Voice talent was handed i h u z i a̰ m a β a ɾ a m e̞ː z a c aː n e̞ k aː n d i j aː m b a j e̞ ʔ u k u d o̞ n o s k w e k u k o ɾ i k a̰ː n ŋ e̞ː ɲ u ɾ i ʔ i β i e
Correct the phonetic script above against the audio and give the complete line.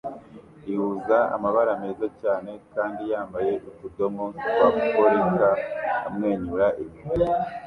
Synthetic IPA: i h u z a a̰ m a β a ɾ a m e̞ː z a c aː n e̞ k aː n d i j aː m b a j e̞ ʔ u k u d o̞ m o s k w a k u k o ɾ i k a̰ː m ŋ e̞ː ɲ u ɾ a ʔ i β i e